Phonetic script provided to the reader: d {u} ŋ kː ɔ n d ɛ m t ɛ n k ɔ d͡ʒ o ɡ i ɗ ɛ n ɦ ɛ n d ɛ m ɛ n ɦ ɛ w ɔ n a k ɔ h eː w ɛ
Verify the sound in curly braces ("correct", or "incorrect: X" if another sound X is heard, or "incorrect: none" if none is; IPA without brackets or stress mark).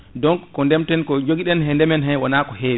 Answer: incorrect: ɔ